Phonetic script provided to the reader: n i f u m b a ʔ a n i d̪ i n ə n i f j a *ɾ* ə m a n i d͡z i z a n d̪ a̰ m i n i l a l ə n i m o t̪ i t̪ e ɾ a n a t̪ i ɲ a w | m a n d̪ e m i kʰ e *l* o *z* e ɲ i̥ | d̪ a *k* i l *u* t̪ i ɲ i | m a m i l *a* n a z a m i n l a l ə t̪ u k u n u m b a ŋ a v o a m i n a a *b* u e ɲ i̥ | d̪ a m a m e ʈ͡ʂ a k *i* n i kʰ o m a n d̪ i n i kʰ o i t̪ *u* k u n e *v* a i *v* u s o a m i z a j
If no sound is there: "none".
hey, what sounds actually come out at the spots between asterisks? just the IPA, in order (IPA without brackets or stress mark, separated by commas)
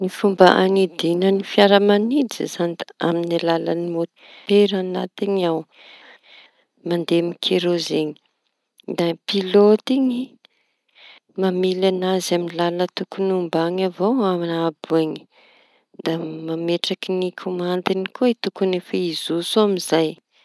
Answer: ɾ, ɾ, z, p, o, a, b, i, u, f, z